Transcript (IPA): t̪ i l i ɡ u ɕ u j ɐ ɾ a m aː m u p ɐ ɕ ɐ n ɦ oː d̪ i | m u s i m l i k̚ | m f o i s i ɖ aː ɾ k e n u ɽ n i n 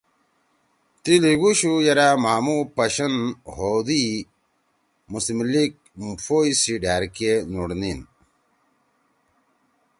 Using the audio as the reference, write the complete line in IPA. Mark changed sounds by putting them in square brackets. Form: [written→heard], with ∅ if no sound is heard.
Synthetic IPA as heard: t̪ i l i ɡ u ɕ u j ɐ ɾ a m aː m u p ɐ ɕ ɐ n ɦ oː d̪ i | m u s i m l i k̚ | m f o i s i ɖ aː ɾ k e n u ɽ n i n